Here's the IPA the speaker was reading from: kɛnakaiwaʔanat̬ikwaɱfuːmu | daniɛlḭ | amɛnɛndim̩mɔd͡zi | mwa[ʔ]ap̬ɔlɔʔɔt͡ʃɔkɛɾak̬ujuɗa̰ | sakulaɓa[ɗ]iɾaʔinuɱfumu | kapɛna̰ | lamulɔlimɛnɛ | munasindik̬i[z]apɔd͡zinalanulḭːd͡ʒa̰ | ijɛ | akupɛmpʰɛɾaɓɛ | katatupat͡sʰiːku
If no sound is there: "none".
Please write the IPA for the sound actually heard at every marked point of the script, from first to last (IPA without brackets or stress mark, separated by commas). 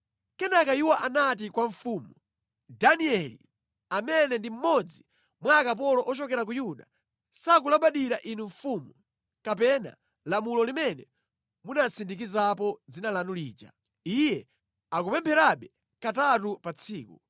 k, ɗ, z